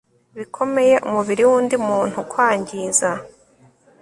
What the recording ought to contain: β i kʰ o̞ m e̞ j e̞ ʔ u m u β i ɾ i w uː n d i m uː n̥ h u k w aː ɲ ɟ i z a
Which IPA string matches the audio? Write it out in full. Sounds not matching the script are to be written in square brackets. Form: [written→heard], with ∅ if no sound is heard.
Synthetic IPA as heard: β i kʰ o̞ m e̞ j e̞ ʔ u m u β i ɾ i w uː n d i m uː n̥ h u k w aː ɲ ɟ i z a